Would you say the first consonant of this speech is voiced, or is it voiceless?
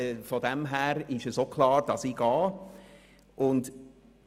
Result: voiceless